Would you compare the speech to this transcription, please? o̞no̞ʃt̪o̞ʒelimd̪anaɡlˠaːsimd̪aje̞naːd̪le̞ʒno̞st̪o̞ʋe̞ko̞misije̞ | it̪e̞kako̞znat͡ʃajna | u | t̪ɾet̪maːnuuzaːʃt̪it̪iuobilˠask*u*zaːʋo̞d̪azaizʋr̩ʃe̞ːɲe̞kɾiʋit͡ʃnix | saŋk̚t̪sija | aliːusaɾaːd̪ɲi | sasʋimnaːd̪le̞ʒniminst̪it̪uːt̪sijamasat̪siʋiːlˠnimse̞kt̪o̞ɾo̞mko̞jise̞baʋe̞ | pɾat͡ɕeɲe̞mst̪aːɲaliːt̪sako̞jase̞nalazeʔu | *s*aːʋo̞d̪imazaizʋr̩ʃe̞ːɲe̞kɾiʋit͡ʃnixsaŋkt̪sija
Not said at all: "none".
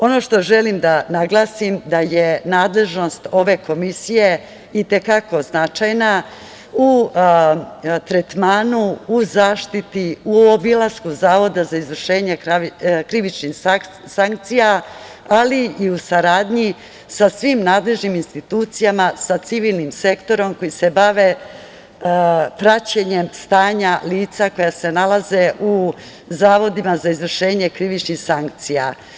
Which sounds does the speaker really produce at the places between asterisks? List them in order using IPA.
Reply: u, z

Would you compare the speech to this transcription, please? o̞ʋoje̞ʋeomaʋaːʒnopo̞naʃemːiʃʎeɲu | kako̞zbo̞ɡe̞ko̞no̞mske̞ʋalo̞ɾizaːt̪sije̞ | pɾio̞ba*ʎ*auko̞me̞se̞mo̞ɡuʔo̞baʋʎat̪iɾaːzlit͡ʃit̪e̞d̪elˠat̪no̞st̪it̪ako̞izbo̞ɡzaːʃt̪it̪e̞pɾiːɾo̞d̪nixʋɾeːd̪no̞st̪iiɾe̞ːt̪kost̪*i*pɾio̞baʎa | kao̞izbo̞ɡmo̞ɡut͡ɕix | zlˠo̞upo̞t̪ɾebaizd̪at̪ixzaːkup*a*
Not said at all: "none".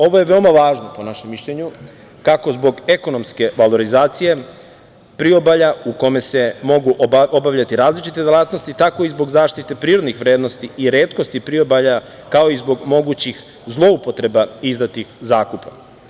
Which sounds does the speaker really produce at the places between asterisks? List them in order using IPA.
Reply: ʎ, i, a

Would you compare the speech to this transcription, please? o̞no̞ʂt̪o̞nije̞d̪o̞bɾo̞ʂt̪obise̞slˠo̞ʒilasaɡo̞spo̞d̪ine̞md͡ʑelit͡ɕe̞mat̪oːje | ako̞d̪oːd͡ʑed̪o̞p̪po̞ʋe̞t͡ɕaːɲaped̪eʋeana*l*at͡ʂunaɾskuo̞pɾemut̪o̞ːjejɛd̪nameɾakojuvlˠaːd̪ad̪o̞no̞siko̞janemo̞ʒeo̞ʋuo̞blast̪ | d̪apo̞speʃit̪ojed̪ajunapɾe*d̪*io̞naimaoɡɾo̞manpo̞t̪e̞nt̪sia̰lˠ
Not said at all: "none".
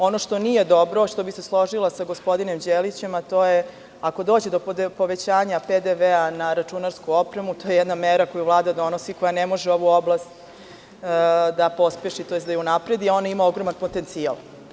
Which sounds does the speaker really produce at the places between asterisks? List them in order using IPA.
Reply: ɾ, d̪

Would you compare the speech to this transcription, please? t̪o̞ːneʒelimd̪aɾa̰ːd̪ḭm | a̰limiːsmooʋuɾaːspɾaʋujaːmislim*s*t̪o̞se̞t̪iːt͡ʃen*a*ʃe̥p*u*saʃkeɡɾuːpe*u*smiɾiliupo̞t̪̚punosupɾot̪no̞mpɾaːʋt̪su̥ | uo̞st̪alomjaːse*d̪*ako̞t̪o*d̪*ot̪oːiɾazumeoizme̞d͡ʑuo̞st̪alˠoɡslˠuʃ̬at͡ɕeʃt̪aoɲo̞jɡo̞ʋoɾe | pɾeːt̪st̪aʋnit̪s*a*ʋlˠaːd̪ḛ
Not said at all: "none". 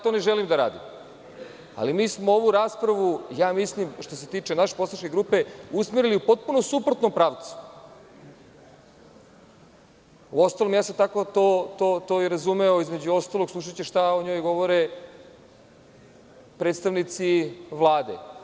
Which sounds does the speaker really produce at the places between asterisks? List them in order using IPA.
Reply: ʃ, a, o, u, t̪, t̪, i

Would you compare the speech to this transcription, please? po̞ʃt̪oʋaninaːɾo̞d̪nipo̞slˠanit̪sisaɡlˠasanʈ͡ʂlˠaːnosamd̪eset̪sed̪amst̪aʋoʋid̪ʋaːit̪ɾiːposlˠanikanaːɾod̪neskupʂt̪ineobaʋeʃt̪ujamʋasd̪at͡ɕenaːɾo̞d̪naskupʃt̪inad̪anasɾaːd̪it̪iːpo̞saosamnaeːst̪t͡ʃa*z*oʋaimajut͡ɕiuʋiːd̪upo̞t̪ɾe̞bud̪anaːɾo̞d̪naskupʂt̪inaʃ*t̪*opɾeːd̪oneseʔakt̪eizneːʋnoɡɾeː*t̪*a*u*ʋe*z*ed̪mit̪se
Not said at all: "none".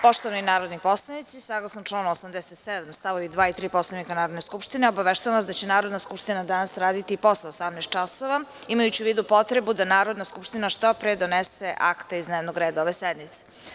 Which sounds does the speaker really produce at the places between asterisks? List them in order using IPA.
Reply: s, t̪, d̪, o, s

